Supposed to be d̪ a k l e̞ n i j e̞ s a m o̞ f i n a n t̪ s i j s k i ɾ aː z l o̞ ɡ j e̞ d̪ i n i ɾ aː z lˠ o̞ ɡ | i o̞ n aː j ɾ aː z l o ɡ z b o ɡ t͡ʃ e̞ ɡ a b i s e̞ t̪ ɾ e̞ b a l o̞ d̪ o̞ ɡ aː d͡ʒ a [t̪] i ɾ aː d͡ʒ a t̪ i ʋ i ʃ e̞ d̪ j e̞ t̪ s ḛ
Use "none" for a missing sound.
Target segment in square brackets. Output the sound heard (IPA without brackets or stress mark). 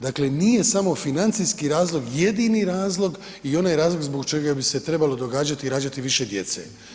t̪